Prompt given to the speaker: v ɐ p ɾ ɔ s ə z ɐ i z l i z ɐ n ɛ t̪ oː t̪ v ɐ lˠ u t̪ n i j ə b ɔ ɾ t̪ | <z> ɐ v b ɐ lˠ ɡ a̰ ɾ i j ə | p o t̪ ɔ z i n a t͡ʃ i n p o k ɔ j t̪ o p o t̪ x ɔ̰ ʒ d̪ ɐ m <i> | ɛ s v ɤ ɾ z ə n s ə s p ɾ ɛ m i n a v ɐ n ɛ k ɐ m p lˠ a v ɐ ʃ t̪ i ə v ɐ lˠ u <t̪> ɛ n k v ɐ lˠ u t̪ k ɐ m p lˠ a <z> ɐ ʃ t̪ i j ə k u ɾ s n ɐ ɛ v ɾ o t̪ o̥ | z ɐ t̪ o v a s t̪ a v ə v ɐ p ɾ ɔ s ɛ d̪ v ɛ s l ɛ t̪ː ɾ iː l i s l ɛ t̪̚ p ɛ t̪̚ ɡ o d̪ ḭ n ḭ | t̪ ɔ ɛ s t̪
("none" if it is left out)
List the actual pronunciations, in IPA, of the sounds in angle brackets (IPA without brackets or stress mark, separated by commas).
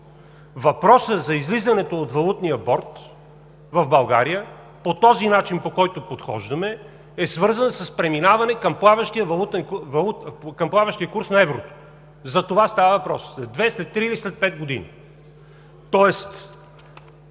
v, ɛ, t̪, v